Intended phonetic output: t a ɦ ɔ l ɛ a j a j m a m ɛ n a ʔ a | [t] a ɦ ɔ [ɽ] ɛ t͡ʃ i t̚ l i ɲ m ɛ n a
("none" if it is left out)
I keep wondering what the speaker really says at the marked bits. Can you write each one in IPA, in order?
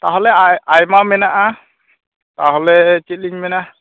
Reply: t, l

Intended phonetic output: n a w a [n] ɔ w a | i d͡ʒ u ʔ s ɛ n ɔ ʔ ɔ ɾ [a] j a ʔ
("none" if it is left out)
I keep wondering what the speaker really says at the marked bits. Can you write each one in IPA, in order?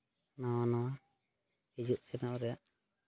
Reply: n, ɛ

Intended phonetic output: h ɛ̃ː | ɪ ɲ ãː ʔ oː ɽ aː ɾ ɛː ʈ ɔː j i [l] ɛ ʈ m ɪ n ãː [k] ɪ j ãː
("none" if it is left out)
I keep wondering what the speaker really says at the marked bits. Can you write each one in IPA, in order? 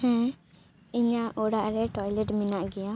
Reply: l, ɡ

